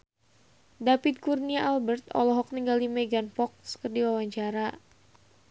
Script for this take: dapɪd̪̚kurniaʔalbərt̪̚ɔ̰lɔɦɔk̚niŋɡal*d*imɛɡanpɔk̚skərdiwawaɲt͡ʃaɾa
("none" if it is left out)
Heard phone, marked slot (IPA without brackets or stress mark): d